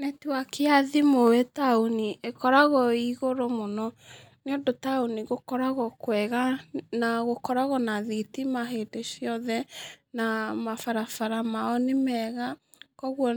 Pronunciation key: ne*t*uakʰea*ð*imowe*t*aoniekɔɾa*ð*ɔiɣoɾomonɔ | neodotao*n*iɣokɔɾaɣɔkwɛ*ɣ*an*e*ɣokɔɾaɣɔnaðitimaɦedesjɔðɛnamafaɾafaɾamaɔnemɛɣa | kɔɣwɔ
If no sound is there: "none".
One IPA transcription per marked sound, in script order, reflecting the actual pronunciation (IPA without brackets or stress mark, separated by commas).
t, ð, t, ɣ, n, ɣ, a